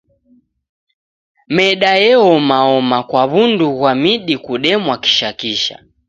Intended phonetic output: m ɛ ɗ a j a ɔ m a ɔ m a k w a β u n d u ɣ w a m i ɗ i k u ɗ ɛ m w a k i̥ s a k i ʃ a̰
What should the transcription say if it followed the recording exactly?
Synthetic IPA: m ɛ ɗ a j ɛ ɔ m a ɔ m a k w a β u n d u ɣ w a m i ɗ i k u ɗ ɛ m w a k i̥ ʃ a k i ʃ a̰